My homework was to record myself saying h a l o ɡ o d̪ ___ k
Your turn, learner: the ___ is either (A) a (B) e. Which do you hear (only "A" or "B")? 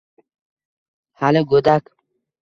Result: A